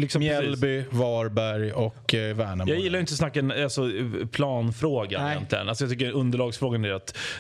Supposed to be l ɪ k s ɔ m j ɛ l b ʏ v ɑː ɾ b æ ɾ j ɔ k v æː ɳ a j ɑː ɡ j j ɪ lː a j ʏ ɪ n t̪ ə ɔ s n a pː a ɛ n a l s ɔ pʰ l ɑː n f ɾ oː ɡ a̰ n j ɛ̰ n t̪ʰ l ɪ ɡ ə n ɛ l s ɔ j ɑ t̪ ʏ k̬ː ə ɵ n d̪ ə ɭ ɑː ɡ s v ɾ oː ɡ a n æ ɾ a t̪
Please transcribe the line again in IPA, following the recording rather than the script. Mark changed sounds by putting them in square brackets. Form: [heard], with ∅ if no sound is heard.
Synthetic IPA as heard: l ɪ k s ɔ m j ɛ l b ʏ v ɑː ɾ b æ ɾ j ɔ k v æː ɳ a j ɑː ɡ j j ɪ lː a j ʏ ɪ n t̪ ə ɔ s n a [kː] a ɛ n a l s ɔ pʰ l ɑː n f ɾ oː ɡ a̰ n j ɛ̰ n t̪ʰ l ɪ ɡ ə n [a] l s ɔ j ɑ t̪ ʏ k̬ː ə ɵ n d̪ ə ɭ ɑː ɡ s [f] ɾ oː ɡ a n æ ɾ a t̪